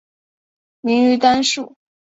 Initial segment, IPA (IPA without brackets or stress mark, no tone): m